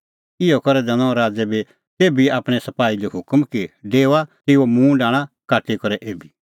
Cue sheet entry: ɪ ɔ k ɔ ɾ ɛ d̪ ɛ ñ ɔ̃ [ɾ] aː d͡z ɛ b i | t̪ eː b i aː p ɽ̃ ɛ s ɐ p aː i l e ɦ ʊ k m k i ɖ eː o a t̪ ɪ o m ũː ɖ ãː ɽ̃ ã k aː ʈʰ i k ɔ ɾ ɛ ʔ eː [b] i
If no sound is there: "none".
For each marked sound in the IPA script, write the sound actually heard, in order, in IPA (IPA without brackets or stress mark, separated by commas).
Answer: ɾ, b